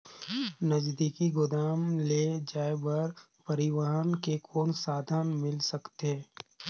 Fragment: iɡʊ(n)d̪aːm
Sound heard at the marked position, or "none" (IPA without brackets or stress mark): none